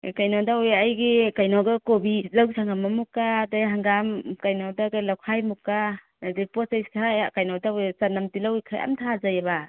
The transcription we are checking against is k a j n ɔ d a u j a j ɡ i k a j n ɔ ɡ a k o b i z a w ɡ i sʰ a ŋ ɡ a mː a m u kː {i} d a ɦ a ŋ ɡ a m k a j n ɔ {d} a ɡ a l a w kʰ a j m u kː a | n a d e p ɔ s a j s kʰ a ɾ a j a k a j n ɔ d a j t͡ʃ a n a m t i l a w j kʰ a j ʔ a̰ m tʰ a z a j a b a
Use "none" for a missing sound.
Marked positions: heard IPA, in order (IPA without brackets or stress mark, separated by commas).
a, d